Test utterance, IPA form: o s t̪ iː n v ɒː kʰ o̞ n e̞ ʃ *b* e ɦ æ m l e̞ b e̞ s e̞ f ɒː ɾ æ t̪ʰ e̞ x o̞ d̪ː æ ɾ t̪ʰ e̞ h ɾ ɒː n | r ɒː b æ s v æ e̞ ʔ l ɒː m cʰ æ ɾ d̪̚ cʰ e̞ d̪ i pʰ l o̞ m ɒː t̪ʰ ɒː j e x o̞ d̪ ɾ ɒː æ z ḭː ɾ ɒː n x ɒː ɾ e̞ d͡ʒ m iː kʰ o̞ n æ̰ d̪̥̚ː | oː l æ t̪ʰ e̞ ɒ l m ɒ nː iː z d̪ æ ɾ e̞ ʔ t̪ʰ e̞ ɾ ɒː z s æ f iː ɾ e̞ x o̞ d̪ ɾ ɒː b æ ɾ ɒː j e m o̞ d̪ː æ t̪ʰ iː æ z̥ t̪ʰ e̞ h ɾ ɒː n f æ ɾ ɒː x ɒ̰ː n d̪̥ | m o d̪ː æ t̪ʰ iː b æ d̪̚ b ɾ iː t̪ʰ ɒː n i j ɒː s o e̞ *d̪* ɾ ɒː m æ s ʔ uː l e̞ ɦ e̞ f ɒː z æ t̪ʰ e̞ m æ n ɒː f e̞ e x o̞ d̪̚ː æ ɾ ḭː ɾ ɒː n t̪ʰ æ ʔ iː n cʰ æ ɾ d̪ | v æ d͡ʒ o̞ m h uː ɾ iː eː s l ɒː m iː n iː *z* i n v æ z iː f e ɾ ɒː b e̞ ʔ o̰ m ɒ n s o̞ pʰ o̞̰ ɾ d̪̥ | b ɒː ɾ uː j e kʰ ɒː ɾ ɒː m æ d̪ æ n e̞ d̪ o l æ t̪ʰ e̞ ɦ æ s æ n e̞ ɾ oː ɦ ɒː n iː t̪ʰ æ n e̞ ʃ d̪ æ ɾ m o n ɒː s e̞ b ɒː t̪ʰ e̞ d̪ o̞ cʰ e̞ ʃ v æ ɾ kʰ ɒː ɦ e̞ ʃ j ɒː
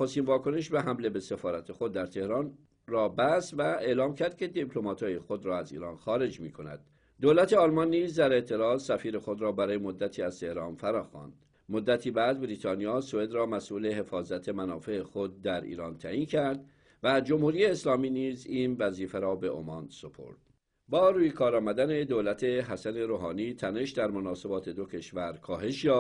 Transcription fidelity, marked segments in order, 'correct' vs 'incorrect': correct, correct, correct

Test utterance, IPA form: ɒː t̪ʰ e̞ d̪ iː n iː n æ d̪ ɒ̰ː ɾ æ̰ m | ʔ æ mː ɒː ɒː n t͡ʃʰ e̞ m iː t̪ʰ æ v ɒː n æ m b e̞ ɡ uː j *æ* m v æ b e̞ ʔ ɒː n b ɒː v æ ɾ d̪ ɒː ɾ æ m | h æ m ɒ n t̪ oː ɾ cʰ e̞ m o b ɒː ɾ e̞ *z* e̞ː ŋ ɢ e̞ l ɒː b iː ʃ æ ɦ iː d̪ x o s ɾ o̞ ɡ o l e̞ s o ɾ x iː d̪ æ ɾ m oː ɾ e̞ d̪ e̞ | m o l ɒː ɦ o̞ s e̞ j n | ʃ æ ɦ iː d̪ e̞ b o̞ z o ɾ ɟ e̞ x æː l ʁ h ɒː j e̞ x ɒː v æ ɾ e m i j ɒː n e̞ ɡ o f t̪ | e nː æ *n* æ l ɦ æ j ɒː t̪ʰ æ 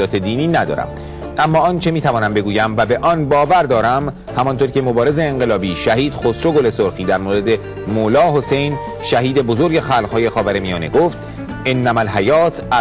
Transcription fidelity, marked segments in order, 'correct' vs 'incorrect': correct, correct, incorrect: m

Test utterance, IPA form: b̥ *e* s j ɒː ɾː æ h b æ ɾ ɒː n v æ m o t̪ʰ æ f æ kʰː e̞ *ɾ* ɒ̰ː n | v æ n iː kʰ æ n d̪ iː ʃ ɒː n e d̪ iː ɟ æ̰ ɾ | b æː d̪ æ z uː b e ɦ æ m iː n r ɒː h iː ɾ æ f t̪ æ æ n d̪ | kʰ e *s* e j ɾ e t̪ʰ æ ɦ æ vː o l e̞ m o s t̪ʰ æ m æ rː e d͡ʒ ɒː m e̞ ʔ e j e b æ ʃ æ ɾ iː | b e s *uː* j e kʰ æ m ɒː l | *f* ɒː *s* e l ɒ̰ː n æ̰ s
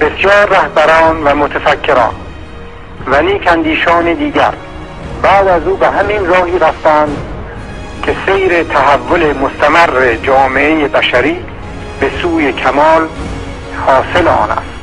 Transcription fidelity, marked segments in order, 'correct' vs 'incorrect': correct, correct, correct, correct, incorrect: h, correct

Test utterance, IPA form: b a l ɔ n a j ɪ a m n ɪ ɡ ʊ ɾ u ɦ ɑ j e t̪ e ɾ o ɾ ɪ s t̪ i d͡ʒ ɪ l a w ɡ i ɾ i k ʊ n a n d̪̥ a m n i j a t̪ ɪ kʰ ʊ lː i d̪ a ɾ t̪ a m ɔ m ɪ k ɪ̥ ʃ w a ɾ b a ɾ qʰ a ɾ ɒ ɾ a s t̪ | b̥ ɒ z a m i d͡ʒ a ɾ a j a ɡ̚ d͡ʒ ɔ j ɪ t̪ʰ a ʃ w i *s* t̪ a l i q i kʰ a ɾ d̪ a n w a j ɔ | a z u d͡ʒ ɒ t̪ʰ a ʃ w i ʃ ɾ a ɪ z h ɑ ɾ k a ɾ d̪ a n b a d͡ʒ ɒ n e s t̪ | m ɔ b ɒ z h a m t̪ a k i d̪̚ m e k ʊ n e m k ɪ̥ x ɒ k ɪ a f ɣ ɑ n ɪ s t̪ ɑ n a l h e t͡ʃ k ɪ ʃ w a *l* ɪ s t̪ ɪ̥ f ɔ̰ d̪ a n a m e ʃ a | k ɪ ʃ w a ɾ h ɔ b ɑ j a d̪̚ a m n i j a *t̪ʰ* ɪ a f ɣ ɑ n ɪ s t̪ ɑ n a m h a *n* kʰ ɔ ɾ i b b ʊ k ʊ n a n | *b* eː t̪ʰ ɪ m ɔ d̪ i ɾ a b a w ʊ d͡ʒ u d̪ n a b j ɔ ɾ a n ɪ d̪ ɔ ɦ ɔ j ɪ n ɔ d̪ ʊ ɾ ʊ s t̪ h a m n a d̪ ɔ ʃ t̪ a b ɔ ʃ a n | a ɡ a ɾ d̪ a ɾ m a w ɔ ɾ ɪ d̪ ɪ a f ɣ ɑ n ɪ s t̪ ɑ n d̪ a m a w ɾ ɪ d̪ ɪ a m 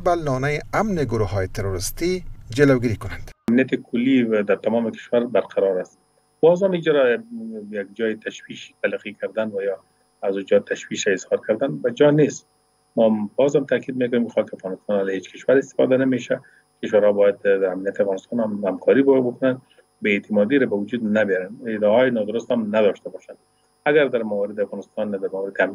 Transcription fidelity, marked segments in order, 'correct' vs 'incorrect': incorrect: ʃ, incorrect: ɾ, incorrect: t̪, incorrect: m, correct

